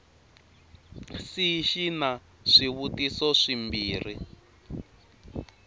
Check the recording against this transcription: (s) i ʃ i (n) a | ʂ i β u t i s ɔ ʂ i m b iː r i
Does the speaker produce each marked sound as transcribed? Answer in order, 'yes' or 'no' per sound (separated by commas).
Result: yes, yes